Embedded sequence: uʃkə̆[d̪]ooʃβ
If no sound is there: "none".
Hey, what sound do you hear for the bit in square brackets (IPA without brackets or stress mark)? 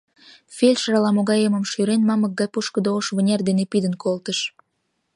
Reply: d̪